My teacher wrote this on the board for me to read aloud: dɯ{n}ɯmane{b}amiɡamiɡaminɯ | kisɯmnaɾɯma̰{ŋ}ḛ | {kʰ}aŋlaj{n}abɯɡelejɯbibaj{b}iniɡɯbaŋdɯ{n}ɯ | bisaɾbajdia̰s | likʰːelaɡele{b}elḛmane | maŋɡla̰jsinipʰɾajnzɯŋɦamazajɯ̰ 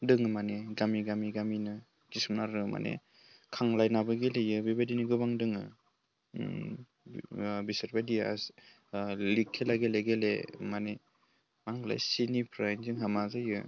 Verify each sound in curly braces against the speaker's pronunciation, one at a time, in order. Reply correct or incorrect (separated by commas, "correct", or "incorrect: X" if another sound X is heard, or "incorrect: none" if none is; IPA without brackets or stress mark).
incorrect: ŋ, incorrect: ɡ, incorrect: n, correct, correct, incorrect: d, incorrect: ŋ, incorrect: ɡ